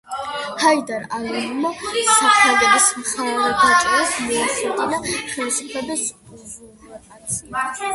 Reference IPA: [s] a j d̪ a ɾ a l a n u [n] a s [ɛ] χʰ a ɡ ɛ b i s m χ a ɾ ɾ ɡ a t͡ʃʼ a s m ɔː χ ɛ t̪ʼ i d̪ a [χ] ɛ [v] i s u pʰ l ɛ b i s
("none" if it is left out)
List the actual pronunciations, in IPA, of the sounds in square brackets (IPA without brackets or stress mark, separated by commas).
h, m, a, χ, v